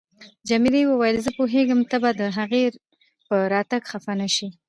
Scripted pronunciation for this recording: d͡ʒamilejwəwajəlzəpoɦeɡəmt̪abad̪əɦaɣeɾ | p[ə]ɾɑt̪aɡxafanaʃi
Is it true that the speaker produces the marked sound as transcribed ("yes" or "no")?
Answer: yes